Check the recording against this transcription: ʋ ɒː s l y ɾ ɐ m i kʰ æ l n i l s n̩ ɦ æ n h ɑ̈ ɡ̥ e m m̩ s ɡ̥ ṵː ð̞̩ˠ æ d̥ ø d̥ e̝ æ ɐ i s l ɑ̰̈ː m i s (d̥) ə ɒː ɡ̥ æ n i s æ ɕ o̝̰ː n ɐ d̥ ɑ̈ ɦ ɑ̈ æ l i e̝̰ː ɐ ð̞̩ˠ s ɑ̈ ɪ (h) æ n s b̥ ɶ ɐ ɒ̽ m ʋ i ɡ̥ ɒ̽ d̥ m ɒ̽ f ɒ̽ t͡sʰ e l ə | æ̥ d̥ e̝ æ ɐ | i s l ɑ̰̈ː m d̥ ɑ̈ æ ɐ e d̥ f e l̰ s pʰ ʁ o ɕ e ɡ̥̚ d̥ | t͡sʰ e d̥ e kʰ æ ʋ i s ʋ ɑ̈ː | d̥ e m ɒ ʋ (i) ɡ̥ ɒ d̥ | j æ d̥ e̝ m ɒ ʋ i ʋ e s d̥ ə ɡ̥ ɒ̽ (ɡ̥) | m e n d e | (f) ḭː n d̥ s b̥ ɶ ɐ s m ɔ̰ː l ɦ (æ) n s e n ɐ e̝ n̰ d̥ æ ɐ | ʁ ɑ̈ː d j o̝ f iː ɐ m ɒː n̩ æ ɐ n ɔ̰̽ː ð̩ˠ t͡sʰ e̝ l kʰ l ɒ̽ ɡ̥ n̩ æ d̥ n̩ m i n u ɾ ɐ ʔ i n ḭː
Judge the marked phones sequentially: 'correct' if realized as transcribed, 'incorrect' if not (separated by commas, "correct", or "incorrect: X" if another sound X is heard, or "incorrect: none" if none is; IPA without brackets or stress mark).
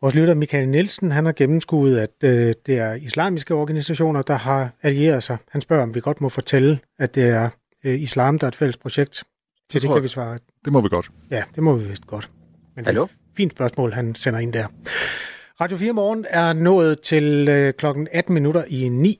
incorrect: ɡ̥, correct, correct, incorrect: d̥, correct, correct